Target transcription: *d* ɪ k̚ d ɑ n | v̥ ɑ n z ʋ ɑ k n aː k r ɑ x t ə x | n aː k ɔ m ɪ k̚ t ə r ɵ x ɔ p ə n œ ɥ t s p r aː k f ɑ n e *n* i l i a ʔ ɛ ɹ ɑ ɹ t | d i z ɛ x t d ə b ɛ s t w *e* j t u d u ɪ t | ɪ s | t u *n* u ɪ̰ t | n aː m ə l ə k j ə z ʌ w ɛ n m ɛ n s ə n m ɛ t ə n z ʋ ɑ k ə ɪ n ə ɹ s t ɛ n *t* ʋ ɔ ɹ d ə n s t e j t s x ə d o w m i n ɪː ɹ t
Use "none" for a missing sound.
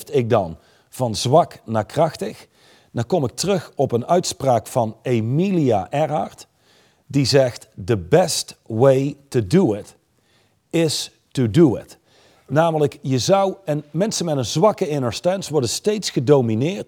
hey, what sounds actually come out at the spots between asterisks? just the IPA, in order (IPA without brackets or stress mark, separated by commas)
t, m, e, d, s